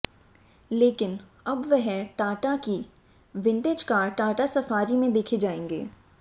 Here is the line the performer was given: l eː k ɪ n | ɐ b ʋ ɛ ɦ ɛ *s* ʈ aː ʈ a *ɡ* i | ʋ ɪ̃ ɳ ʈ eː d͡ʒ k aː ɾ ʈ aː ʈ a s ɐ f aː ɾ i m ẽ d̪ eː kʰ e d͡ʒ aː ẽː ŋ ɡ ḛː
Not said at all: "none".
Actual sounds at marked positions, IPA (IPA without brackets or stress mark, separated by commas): none, k